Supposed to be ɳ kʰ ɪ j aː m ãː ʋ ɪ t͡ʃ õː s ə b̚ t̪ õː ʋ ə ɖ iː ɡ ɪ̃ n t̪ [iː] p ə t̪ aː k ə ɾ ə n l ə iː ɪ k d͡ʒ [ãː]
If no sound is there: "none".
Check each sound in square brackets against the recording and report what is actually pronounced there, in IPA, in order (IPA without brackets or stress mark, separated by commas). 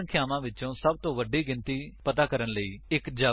iː, aː